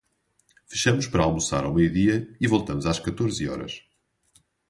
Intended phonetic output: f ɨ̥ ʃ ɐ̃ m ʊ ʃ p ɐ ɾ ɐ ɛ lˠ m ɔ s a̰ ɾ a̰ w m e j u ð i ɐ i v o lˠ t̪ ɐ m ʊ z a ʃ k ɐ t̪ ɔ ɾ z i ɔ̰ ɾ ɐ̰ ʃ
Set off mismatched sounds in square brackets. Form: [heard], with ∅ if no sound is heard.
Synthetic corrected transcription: f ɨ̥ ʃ [ɐ] m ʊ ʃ p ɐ ɾ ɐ [a] lˠ m [u] s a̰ ɾ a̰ w m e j u ð i ɐ i v o lˠ t̪ ɐ m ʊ z a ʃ k ɐ t̪ [o] ɾ z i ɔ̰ ɾ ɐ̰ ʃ

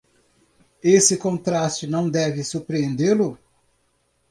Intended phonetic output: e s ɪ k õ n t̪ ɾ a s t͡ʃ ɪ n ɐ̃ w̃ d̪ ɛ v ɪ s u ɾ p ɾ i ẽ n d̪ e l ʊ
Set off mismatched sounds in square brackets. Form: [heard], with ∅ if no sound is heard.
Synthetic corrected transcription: e s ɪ k õ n t̪ ɾ a s t͡ʃ ɪ n ɐ̃ w̃ d̪ ɛ v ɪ s u ɾ p ɾ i ẽ n d̪ e l ʊ

